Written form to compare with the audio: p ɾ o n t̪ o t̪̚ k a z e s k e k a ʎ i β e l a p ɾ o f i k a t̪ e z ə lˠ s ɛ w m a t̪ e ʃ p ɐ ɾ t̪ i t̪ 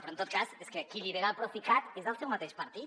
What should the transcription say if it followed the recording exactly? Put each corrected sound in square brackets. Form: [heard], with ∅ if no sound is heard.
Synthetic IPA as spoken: p ɾ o n t̪ o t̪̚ k a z e s k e k [i] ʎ i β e [ɾ] a p ɾ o f i k a t̪ e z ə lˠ s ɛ w m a t̪ e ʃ p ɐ ɾ t̪ i t̪